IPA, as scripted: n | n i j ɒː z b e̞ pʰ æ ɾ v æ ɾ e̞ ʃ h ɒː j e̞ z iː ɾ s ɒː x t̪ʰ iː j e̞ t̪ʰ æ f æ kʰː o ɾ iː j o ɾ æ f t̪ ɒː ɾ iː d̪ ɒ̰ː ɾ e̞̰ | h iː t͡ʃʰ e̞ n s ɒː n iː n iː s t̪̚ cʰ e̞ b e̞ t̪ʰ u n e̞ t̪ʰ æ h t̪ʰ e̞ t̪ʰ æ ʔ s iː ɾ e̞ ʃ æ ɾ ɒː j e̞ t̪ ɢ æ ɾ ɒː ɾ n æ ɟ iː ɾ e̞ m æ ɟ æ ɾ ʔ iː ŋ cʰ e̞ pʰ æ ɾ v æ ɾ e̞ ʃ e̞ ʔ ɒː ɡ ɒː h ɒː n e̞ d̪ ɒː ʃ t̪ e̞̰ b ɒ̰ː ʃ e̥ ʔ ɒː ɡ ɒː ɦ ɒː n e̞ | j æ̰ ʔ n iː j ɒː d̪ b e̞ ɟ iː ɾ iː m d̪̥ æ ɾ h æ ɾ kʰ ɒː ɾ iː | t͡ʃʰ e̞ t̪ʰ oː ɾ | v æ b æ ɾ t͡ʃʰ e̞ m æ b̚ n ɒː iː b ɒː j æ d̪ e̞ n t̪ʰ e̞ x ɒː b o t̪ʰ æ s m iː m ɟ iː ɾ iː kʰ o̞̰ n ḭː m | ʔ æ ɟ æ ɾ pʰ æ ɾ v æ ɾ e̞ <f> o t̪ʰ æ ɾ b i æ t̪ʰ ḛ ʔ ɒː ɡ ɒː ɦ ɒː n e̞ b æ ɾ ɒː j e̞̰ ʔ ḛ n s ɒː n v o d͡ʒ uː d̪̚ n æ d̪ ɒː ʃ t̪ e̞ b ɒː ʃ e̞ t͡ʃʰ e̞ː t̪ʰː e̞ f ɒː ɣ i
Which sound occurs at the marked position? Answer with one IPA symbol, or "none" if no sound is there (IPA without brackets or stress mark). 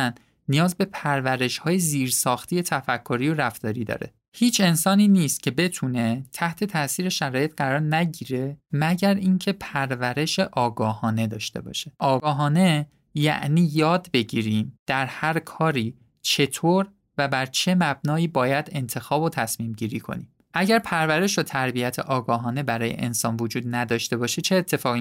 ʃ